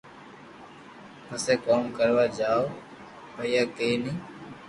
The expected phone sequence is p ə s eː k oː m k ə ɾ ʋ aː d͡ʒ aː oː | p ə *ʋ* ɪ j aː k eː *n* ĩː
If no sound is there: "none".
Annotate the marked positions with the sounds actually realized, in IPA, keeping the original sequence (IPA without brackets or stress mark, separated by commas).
none, n